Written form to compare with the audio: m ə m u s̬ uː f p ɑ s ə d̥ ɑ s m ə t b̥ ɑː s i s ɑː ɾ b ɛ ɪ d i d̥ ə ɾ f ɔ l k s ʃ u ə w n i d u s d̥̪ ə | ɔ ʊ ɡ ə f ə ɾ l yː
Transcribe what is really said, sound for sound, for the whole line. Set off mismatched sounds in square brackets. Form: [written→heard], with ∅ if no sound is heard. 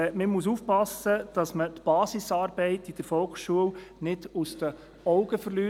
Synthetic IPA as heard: m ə m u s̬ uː f p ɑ s ə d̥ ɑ s m ə t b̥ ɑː s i s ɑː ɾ b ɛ ɪ [d→t] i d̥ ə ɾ f ɔ l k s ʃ u ə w n [i→ɪ] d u s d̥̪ ə | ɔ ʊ ɡ ə f ə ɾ l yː